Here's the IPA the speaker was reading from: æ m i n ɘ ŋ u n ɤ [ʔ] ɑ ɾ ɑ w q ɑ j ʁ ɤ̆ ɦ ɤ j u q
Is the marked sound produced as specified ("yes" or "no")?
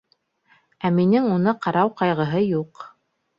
no